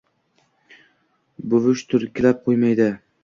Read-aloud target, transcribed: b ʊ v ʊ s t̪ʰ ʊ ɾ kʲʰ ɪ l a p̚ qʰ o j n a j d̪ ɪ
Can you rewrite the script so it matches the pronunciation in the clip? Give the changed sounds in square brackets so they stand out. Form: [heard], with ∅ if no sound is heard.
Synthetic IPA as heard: b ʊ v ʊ [ʃ] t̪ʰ ʊ ɾ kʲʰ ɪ l a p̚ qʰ o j [m] a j d̪ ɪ

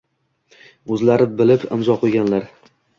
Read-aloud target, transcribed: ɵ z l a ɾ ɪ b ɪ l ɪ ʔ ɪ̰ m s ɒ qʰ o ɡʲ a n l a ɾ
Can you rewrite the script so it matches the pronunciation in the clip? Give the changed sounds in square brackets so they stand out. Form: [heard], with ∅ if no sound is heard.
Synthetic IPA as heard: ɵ z l a ɾ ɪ b ɪ l ɪ [p] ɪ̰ m [z] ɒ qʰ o ɡʲ a n l a ɾ

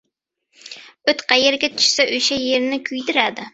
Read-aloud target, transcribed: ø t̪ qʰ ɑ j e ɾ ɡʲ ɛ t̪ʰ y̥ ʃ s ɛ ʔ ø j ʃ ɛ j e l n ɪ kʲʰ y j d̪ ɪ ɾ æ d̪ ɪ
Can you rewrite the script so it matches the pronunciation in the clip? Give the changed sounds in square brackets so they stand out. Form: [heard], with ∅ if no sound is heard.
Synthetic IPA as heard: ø t̪ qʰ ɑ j e ɾ ɡʲ ɛ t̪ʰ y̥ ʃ s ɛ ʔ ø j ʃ ɛ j e [ɾ] n ɪ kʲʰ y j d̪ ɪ ɾ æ d̪ ɪ

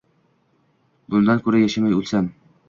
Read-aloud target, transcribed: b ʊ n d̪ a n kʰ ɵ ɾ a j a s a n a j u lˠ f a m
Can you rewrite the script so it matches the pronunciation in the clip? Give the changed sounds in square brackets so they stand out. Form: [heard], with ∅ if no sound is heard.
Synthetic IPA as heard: b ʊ n d̪ a n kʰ ɵ ɾ a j a [ʃ] a [m] a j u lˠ [s] a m

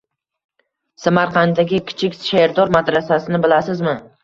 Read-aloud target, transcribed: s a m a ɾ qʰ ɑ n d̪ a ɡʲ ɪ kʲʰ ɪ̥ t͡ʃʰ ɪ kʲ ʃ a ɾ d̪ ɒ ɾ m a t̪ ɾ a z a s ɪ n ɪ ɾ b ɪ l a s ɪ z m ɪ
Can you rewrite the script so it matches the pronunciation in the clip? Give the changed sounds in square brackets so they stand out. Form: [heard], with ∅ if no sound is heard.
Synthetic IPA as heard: s a m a ɾ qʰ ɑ n d̪ a ɡʲ ɪ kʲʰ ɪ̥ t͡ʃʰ ɪ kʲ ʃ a ɾ d̪ ɒ ɾ m a [d̪] ɾ a [s] a s ɪ n ɪ [∅] b ɪ l a s ɪ z m ɪ

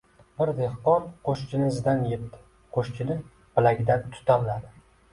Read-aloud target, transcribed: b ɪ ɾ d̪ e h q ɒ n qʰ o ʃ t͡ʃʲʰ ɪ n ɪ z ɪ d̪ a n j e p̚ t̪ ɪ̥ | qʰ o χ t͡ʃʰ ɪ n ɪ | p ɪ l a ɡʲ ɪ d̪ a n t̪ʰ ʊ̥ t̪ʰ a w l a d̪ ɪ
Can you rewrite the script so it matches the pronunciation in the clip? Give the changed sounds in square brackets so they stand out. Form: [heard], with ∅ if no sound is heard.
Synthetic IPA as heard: b ɪ ɾ d̪ e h q ɒ n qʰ o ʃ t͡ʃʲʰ ɪ n ɪ z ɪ d̪ a n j e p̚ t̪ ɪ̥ | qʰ o [ʃ] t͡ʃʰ ɪ n ɪ | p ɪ l a ɡʲ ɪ d̪ a n t̪ʰ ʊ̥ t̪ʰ a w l a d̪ ɪ

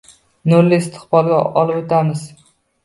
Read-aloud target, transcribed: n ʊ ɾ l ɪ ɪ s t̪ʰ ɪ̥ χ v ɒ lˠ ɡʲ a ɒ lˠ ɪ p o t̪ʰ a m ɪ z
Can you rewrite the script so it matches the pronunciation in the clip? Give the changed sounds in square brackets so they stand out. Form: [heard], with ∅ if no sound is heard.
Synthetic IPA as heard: n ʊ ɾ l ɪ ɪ s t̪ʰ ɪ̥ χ [b] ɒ lˠ ɡʲ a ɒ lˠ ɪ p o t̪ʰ a m ɪ z

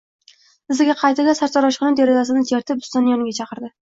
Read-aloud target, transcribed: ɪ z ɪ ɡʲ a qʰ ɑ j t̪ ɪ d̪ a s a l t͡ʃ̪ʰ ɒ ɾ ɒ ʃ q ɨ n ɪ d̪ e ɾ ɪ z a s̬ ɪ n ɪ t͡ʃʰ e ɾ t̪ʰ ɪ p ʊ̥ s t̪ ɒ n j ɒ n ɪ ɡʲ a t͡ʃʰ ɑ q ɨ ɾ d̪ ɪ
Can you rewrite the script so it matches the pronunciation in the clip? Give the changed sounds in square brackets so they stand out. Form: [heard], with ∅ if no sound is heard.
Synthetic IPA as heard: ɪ z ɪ ɡʲ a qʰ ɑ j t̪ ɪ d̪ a s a [ɾ] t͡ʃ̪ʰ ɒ ɾ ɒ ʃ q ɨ n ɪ d̪ e ɾ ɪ z a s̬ ɪ n ɪ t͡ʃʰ e ɾ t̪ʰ ɪ p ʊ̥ s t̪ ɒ n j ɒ n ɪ ɡʲ a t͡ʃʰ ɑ q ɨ ɾ d̪ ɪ

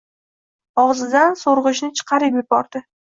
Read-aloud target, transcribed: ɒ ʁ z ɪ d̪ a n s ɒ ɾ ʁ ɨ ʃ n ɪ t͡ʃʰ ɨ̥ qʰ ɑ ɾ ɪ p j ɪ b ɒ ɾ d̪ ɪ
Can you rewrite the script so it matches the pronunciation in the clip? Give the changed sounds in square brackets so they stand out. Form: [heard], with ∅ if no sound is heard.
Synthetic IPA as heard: ɒ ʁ z ɪ d̪ a n s [o] ɾ ʁ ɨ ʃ n ɪ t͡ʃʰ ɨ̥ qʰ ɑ ɾ ɪ p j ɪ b ɒ ɾ d̪ ɪ

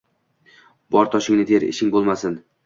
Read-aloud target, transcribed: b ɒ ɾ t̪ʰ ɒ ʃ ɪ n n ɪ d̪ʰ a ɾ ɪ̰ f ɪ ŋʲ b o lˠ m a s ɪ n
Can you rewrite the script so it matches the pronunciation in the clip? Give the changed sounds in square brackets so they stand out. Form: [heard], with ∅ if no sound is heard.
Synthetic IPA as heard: b ɒ ɾ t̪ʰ ɒ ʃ ɪ [ŋ] n ɪ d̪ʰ [e] ɾ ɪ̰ [ʃ] ɪ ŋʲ b o lˠ m a s ɪ n

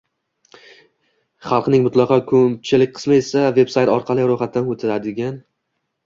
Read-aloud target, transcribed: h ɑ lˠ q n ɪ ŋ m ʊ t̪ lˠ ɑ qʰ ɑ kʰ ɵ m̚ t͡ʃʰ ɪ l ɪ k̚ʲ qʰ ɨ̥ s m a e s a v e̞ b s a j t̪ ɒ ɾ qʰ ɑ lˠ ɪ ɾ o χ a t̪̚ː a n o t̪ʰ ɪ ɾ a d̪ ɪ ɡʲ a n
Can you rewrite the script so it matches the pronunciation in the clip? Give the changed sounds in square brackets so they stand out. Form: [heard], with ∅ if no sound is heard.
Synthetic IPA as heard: [χ] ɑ lˠ q n ɪ ŋ m ʊ t̪ lˠ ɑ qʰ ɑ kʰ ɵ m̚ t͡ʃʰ ɪ l ɪ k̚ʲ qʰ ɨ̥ s m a e s a v e̞ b s a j t̪ ɒ ɾ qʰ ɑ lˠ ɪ ɾ o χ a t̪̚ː a n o t̪ʰ ɪ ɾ a d̪ ɪ ɡʲ a n

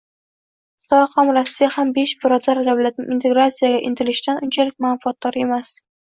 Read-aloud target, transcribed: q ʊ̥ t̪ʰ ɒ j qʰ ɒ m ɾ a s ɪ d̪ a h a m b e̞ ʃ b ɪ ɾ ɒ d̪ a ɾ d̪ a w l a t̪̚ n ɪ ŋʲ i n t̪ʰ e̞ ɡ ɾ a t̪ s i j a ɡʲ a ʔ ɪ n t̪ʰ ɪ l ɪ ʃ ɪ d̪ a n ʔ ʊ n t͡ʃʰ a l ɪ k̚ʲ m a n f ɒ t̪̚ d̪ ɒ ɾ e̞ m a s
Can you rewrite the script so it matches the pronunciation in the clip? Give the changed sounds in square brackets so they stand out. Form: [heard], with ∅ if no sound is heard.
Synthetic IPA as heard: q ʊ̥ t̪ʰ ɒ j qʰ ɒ m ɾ a s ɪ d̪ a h a m b e̞ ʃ b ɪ ɾ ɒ d̪ a ɾ d̪ a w l a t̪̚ n ɪ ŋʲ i n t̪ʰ e̞ ɡ ɾ a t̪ s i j a ɡʲ a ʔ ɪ n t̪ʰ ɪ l ɪ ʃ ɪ d̪ a n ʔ ʊ n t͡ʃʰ a l ɪ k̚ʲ m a n f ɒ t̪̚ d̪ ɒ ɾ e̞ m a s

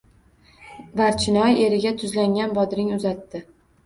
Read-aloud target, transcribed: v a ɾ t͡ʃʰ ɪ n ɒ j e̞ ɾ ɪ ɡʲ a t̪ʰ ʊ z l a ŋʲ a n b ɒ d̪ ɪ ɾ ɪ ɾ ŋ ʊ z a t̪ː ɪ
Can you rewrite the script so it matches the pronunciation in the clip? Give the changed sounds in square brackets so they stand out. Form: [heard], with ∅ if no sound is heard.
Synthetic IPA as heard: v a ɾ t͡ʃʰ ɪ n ɒ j e̞ ɾ ɪ ɡʲ a t̪ʰ ʊ z l a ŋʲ a n b ɒ d̪ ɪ ɾ ɪ [∅] ŋ ʊ z a t̪ː ɪ

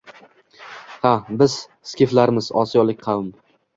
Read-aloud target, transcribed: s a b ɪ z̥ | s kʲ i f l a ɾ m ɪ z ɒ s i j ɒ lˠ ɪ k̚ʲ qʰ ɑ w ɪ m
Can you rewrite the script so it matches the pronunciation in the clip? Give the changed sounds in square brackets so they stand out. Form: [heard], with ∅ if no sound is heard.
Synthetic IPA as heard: [h] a b ɪ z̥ | s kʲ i f l a ɾ m ɪ z ɒ s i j ɒ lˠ ɪ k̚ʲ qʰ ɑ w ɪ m

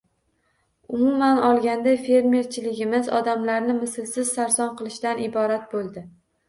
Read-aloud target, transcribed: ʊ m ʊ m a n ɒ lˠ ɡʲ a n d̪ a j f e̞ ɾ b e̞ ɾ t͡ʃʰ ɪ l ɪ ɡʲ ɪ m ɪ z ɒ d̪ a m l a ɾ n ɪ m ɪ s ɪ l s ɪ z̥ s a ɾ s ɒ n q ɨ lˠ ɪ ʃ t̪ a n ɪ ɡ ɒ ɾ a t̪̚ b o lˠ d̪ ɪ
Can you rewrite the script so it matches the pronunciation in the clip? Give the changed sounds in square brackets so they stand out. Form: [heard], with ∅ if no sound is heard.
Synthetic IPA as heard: ʊ m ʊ m a n ɒ lˠ ɡʲ a n d̪ a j f e̞ ɾ [m] e̞ ɾ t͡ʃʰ ɪ l ɪ ɡʲ ɪ m ɪ z ɒ d̪ a m l a ɾ n ɪ m ɪ s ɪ l s ɪ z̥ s a ɾ s ɒ n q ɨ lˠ ɪ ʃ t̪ a n ɪ [b] ɒ ɾ a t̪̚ b o lˠ d̪ ɪ

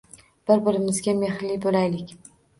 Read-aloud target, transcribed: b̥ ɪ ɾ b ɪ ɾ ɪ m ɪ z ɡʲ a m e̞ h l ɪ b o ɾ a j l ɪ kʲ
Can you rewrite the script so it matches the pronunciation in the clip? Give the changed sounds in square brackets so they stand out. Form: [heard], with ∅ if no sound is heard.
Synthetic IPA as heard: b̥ ɪ ɾ b ɪ ɾ ɪ m ɪ z ɡʲ a m e̞ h l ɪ b o [l] a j l ɪ kʲ

